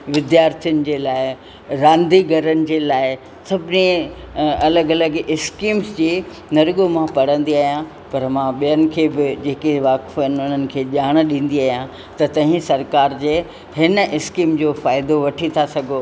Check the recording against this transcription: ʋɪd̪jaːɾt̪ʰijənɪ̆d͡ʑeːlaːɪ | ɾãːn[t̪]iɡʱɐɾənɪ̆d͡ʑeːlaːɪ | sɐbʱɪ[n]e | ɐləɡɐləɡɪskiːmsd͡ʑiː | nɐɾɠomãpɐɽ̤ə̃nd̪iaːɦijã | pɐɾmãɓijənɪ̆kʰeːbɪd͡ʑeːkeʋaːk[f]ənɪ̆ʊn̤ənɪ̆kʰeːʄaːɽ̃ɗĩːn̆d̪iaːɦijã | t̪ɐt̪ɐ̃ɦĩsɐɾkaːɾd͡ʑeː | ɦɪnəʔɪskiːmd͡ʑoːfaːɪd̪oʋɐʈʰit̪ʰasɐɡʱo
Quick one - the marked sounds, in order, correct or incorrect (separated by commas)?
incorrect, correct, correct